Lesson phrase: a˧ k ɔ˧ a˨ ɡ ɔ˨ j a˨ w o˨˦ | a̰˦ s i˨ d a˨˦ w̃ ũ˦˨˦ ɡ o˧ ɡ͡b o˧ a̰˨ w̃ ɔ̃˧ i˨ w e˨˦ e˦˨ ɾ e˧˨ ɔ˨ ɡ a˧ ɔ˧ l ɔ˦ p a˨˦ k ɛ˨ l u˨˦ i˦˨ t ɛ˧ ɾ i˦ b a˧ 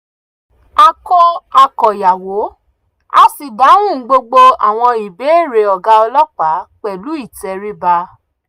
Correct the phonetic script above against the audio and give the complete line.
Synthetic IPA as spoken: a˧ k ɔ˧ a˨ k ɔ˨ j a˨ w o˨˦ | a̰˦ s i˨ d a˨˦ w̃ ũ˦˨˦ ɡ͡b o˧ ɡ͡b o˧ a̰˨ w̃ ɔ̃˧ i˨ b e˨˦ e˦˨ ɾ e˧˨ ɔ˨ ɡ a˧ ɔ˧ l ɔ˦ k͡p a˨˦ k͡p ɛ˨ l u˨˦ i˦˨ t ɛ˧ ɾ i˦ b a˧

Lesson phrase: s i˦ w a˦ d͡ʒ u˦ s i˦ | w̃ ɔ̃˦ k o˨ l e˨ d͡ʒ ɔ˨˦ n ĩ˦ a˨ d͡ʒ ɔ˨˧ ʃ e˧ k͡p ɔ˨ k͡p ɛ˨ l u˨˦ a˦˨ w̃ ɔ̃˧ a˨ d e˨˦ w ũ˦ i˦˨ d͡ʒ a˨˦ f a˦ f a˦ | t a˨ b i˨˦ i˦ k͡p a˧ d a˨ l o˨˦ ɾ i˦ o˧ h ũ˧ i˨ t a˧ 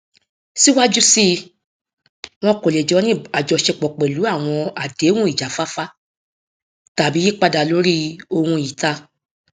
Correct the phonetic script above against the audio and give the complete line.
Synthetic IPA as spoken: s i˦ w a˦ d͡ʒ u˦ s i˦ | w̃ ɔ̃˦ k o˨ l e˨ d͡ʒ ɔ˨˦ n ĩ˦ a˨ d͡ʒ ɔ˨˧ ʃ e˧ k͡p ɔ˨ k͡p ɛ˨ l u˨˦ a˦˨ w̃ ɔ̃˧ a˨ d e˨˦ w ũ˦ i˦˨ d͡ʒ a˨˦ f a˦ f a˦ | t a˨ b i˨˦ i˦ k͡p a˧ d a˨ l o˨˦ ɾ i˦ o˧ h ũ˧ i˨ t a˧

